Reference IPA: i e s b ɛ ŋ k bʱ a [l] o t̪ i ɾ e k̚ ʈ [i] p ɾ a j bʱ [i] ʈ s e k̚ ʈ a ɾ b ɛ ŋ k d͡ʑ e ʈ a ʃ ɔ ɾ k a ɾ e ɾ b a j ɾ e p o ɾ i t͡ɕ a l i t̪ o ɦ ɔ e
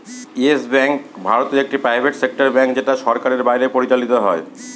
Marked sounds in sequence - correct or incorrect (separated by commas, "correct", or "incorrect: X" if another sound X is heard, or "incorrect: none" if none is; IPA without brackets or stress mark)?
incorrect: ɾ, correct, incorrect: e